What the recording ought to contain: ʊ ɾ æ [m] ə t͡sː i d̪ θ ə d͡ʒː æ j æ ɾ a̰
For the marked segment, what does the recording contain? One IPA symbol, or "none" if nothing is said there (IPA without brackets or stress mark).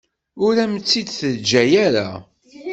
m